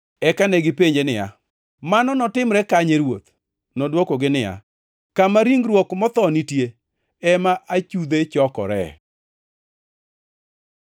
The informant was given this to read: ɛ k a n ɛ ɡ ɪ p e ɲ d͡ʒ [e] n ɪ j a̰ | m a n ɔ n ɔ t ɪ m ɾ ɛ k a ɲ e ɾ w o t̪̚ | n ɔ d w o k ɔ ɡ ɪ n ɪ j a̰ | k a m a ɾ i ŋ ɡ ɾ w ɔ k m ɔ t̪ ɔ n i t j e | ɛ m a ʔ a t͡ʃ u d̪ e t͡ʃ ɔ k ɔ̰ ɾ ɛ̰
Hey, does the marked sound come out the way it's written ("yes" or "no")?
yes